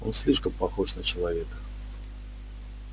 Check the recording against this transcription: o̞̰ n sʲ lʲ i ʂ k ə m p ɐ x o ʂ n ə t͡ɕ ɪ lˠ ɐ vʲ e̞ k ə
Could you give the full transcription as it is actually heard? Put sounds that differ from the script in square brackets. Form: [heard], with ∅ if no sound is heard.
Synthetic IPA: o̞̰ n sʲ lʲ i ʂ k ə m p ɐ x o ʂ n ə t͡ɕ ɪ lˠ ɐ vʲ e̞ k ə